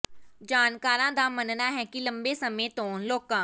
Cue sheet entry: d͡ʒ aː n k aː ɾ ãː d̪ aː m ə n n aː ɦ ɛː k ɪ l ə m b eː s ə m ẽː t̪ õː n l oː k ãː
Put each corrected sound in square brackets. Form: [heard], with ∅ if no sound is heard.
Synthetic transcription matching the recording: d͡ʒ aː n k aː ɾ ãː d̪ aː m ə n n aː ɦ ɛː k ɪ l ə m b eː s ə m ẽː t̪ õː n l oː k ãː